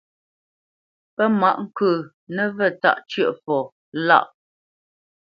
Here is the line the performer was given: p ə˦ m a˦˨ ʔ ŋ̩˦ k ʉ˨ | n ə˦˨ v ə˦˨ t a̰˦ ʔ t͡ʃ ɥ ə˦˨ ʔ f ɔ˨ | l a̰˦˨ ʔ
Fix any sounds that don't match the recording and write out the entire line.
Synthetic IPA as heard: p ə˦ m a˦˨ ʔ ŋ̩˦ k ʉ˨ | n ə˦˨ v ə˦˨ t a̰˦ ʔ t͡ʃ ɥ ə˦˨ ʔ f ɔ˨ | l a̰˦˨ ʔ